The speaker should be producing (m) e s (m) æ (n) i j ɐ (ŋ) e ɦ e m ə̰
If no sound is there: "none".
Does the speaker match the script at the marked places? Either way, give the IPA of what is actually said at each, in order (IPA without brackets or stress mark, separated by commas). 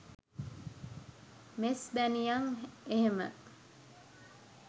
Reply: m, b, n, ŋ